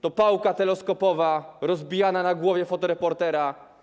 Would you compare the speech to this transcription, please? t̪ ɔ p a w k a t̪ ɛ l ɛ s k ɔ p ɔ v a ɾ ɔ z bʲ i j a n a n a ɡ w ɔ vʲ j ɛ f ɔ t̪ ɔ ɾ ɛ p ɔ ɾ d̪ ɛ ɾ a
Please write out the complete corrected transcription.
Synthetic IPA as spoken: t̪ ɔ p a w k a t̪ ɛ l ɛ s k ɔ p ɔ v a ɾ ɔ z bʲ i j a n a n a ɡ w ɔ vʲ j ɛ f ɔ t̪ ɔ ɾ ɛ p ɔ ɾ t̪ ɛ ɾ a